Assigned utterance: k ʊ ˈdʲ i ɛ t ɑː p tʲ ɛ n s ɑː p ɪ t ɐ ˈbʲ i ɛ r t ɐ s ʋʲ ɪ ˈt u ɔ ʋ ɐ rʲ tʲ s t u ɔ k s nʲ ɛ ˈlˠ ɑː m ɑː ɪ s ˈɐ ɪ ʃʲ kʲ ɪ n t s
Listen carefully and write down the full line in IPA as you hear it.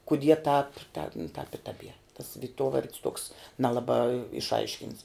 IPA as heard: k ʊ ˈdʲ i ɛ t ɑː p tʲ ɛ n t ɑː p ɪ t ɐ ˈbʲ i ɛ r t ɐ s ʋʲ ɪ ˈt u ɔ ʋ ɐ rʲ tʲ s t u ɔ k s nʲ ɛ ˈlˠ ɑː b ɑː ɪ ʃ ˈɐ ɪ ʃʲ kʲ ɪ n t s

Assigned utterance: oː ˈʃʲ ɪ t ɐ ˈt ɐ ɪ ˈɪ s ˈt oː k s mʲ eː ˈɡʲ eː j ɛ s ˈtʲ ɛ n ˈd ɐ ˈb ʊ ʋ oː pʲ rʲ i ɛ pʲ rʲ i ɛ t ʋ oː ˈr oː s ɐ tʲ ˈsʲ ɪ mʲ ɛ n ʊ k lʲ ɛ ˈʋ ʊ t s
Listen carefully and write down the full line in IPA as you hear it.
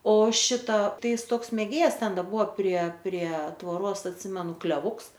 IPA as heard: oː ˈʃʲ ɪ t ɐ ˈt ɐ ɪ ˈɪ s ˈt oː k s mʲ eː ˈɡʲ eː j ɛ s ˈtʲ ɛ n ˈd ɐ ˈb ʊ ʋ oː pʲ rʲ i ɛ pʲ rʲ i ɛ t ʋ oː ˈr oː s ɐ tʲ ˈsʲ ɪ mʲ ɛ n ʊ k lʲ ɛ ˈʋ ʊ k s

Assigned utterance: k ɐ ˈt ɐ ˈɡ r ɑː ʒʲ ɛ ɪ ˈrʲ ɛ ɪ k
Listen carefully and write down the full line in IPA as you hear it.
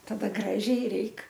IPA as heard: t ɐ ˈd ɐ ˈɡ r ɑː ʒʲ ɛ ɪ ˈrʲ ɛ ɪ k

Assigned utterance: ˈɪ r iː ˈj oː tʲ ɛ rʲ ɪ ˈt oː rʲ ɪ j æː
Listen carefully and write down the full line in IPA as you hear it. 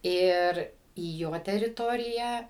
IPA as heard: ˈɪ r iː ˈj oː tʲ ɛ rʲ ɪ ˈt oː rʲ ɪ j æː

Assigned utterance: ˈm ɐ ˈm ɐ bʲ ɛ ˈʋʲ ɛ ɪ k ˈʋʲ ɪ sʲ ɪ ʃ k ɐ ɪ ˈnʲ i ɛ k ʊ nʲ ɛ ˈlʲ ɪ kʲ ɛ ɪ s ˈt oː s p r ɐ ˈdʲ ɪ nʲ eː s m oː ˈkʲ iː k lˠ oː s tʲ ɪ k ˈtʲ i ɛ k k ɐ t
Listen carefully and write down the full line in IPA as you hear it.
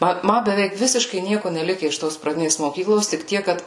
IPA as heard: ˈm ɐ ˈm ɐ bʲ ɛ ˈʋʲ ɛ ɪ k ˈʋʲ ɪ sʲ ɪ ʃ k ɐ ɪ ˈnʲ i ɛ k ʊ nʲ ɛ ˈlʲ ɪ kʲ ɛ ɪ ʃ ˈt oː s p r ɐ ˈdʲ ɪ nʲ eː s m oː ˈkʲ iː k lˠ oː s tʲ ɪ k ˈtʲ i ɛ k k ɐ t

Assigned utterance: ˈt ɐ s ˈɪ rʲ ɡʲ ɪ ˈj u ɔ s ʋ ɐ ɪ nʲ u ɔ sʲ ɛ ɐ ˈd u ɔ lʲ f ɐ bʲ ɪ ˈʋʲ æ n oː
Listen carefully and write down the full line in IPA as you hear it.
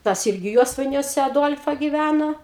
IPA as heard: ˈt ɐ s ˈɪ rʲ ɡʲ ɪ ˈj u ɔ s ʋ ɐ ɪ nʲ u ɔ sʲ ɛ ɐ ˈd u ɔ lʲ f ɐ ɡʲ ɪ ˈʋʲ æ n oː

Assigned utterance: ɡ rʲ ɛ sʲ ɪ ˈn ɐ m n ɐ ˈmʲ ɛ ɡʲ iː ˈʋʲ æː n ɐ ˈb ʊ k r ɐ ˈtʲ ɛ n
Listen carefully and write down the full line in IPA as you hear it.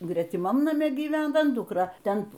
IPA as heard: ɡ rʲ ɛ tʲ ɪ ˈm ɐ m n ɐ ˈmʲ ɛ ɡʲ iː ˈʋʲ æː n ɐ ˈd ʊ k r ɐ ˈtʲ ɛ n

